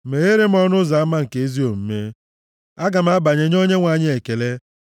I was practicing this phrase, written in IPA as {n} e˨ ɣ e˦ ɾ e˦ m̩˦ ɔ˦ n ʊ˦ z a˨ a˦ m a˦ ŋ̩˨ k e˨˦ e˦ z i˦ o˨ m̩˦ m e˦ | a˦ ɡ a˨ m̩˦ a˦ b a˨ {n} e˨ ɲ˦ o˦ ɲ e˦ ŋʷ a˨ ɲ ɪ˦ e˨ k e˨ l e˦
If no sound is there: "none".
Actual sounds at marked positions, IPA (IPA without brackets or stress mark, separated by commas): m, ɲ